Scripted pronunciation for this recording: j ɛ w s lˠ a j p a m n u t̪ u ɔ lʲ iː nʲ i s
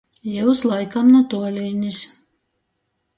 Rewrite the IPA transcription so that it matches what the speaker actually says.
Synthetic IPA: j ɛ w s lˠ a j k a m n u t̪ u ɔ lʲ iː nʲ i s